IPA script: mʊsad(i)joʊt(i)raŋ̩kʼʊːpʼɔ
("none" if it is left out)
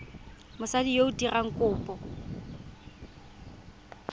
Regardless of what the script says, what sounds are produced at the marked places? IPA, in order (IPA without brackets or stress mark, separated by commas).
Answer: i, i